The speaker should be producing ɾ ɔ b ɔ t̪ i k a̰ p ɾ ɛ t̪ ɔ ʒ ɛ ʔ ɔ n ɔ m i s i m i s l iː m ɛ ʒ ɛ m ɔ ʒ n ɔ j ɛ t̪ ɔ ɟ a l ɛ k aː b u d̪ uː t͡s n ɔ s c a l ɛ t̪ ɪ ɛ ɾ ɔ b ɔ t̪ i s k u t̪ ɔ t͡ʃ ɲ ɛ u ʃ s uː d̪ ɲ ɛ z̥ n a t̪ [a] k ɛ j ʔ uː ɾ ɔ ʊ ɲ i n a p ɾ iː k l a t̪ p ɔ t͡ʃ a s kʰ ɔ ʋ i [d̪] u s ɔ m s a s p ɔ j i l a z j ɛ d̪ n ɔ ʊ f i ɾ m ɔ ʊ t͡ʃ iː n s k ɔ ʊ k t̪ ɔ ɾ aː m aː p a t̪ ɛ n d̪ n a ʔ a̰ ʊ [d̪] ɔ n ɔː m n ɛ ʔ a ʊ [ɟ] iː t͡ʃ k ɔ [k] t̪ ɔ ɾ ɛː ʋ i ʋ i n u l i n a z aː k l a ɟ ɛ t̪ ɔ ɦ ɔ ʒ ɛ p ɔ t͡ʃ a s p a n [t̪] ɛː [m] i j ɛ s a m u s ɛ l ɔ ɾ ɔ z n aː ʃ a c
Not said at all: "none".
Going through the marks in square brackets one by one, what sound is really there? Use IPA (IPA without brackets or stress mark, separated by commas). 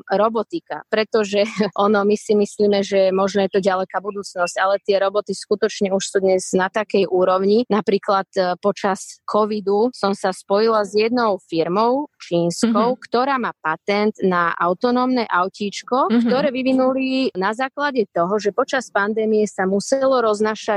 a, d̪, t̪, c, k, d̪, m